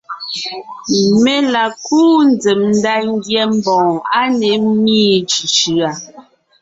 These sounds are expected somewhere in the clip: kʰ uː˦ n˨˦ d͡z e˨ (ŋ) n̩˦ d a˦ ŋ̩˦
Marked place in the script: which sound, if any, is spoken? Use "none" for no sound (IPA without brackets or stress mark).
m